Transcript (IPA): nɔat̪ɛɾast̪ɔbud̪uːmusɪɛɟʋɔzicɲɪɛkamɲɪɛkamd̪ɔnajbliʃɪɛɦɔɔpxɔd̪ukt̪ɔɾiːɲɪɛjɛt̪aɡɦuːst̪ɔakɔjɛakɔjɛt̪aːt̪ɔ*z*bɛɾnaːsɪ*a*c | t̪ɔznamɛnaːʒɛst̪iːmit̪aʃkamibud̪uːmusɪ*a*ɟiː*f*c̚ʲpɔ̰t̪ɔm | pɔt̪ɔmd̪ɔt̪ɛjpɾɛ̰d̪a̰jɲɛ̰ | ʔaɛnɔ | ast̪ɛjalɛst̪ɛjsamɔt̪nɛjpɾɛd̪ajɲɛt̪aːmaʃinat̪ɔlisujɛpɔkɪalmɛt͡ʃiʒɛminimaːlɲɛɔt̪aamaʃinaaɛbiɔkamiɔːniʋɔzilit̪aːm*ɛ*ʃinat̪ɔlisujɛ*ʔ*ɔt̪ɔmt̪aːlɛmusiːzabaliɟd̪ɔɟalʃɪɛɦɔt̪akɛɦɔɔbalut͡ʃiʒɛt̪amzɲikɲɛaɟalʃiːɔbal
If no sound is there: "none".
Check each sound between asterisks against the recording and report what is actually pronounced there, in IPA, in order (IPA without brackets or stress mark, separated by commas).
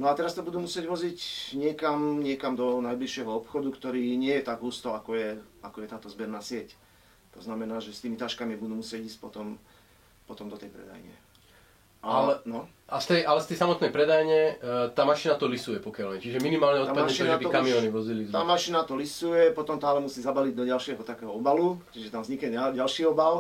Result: z, ɛ, ɛ, s, a, p